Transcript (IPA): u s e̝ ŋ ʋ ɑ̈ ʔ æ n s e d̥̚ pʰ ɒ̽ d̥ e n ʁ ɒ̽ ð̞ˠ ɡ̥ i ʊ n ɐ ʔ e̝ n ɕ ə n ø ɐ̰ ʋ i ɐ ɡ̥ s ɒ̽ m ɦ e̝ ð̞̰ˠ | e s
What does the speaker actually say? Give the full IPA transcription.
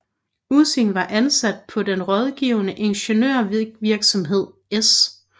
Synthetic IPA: u s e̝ ŋ ʋ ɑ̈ ʔ æ n s æ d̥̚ pʰ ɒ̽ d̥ e n ʁ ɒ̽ ð̞ˠ ɡ̥ i ʊ n ə ʔ e̝ n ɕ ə n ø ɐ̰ ʋ i ɐ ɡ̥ s ɒ̽ m ɦ e̝ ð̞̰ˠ | e s